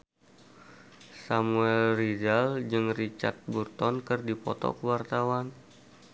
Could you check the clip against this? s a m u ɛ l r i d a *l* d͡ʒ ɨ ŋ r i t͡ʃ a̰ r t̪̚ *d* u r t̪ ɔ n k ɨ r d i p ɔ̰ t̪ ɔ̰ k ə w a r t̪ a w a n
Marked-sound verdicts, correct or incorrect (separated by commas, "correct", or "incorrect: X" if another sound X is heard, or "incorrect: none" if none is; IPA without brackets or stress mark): correct, incorrect: b